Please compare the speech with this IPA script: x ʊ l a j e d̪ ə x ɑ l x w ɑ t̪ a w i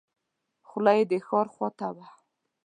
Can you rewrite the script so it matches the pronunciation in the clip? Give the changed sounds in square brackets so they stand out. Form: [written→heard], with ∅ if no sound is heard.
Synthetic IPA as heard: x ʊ l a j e d̪ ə x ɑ [l→ɾ] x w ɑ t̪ a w [i→a]